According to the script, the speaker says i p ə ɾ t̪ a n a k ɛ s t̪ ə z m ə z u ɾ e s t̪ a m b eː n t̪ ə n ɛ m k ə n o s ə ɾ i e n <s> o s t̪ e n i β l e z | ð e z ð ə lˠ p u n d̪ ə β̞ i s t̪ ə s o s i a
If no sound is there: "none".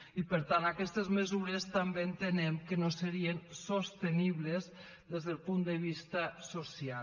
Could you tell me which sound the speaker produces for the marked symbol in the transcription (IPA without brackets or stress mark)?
s